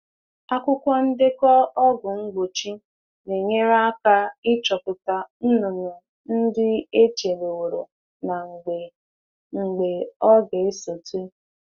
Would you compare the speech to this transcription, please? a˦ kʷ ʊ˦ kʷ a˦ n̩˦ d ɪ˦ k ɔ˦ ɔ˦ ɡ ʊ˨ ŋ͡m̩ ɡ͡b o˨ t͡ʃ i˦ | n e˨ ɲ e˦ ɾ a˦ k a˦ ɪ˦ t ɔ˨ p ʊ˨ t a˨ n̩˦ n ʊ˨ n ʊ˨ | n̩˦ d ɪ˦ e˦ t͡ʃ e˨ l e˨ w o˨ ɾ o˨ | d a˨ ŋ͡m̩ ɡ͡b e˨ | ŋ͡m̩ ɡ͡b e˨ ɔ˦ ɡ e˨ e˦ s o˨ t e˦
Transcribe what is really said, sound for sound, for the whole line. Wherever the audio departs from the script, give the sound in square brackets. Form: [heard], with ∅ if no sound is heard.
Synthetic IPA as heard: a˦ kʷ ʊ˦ kʷ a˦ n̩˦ d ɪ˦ k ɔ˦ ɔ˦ ɡ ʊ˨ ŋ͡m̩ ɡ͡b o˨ t͡ʃ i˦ | n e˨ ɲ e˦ ɾ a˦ k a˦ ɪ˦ [t͡ʃ] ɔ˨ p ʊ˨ t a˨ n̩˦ n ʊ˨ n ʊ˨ | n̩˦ d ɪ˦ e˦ t͡ʃ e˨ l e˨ w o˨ ɾ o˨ | [n] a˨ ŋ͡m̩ ɡ͡b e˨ | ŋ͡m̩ ɡ͡b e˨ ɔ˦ ɡ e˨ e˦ s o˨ t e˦

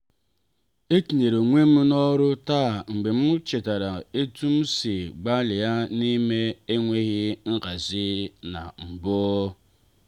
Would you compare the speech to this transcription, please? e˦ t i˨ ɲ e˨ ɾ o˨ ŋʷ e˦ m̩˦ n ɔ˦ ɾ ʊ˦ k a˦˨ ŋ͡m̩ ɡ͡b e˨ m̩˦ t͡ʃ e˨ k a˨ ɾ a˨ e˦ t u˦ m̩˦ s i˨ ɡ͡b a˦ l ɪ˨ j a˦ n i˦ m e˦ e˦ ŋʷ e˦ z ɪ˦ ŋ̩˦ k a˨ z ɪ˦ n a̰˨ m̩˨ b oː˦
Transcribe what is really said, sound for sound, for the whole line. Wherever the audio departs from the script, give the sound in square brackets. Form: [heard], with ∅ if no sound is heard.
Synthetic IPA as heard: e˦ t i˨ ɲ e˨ ɾ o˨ ŋʷ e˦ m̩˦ n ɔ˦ ɾ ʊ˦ [t] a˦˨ ŋ͡m̩ ɡ͡b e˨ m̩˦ t͡ʃ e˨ [t] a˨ ɾ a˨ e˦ t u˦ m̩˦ s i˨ ɡ͡b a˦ l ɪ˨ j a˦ n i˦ m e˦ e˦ ŋʷ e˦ [ɣ] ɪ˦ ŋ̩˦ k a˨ z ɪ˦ n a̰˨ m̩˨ b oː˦

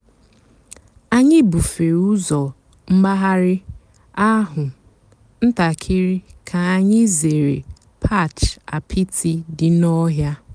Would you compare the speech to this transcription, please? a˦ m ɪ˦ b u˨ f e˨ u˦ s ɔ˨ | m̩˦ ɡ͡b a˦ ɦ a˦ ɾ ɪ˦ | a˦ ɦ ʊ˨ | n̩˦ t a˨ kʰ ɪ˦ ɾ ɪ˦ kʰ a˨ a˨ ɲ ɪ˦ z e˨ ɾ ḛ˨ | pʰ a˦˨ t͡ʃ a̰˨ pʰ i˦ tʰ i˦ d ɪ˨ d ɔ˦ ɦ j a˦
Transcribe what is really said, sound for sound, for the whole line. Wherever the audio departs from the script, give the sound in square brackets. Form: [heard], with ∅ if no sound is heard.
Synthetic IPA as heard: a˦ [ɲ] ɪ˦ b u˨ f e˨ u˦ [z] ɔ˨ | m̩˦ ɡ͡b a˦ ɦ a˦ ɾ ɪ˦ | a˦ ɦ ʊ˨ | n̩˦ t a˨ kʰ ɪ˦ ɾ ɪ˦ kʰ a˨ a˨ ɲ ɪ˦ z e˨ ɾ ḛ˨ | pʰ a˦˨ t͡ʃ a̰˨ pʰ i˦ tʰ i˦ d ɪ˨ [n] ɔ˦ ɦ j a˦

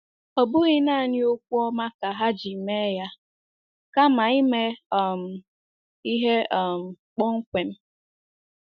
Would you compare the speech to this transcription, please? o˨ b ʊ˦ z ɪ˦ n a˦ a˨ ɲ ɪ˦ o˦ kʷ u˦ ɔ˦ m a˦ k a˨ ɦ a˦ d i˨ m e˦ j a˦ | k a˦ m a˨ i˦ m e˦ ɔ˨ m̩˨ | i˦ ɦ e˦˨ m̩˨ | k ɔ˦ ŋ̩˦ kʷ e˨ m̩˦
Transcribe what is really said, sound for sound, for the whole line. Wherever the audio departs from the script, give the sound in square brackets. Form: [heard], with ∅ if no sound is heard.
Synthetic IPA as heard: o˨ b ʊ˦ [ɣ] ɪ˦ n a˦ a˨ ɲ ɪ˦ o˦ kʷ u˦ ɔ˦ m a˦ k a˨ ɦ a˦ [d͡ʒ] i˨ m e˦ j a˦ | k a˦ m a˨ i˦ m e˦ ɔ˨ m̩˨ | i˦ ɦ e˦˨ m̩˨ | [k͡p] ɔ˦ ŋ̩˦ kʷ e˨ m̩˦

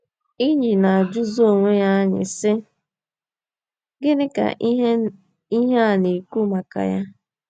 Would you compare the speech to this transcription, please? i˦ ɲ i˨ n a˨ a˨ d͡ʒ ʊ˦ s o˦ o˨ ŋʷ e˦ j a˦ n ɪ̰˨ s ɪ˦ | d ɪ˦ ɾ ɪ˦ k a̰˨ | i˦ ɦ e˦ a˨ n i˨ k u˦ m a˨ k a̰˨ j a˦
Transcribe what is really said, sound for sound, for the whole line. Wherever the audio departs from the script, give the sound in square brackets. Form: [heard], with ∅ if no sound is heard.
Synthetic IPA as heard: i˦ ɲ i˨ n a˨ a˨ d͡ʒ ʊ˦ [z] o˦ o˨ ŋʷ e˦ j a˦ [ɲ] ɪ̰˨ s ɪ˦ | [ɡ] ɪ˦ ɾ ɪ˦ k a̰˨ | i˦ ɦ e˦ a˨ n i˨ k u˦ m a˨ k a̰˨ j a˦

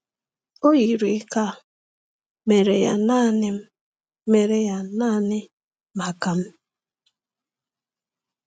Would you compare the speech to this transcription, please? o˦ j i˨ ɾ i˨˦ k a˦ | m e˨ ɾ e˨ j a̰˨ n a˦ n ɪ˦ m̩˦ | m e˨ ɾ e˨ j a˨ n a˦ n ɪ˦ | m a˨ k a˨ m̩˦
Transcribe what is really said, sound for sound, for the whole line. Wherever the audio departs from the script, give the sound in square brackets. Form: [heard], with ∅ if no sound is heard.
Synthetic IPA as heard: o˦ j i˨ ɾ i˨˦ k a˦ | m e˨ ɾ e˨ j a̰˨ n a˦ n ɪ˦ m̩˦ | m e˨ ɾ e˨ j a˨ n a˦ n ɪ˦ | m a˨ k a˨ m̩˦

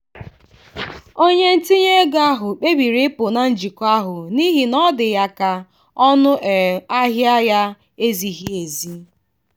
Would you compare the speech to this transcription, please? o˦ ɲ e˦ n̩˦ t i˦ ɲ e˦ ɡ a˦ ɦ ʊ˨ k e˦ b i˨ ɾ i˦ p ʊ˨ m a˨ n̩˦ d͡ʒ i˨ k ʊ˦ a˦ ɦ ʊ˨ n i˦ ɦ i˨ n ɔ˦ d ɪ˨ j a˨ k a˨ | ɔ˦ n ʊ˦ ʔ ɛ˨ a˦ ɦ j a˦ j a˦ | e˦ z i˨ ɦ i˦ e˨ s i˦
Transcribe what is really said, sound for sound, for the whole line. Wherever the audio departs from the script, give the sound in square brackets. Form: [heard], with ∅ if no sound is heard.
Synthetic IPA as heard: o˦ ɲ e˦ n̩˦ t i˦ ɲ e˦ ɡ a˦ ɦ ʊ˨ [k͡p] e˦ b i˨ ɾ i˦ p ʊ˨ [n] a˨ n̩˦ d͡ʒ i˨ k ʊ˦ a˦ ɦ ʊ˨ n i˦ ɦ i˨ n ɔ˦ d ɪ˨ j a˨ k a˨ | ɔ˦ n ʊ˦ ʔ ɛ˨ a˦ ɦ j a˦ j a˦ | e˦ z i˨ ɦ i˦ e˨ [z] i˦

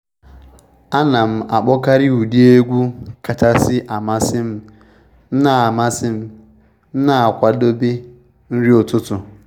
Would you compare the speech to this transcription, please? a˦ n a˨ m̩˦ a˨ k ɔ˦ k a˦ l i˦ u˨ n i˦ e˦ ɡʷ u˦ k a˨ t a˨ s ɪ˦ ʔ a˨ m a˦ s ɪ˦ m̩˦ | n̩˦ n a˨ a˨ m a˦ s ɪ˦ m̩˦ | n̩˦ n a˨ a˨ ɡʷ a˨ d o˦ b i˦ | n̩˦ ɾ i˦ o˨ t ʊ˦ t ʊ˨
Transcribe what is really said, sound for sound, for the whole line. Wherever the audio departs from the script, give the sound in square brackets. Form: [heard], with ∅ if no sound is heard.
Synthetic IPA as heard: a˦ n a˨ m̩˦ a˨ [k͡p] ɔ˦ k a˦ [ɾ] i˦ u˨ [d] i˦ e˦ ɡʷ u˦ k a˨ t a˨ s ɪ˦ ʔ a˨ m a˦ s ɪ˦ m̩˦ | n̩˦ n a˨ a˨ m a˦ s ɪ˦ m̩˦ | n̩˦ n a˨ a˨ [kʷ] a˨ d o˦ b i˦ | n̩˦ ɾ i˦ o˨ t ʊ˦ t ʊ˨

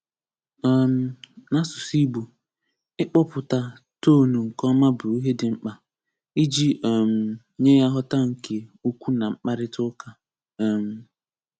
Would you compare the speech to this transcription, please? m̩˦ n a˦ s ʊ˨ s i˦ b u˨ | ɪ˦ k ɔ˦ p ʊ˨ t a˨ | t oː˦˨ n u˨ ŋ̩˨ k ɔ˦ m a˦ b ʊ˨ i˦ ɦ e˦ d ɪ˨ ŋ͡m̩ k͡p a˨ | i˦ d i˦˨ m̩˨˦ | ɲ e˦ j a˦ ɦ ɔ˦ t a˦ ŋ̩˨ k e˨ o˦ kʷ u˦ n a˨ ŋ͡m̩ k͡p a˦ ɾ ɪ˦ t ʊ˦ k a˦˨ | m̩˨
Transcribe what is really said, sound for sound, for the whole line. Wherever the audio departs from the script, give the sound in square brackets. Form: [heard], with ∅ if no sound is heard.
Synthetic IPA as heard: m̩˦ n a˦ s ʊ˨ s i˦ b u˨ | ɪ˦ [k͡p] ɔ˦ p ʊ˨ t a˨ | t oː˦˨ n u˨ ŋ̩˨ k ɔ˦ m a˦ b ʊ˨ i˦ ɦ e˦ d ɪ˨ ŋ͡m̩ k͡p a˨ | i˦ [d͡ʒ] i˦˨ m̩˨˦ | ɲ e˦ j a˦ ɦ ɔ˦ t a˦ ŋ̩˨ k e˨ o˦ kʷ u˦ n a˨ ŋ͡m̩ k͡p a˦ ɾ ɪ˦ t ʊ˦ k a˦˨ | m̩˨

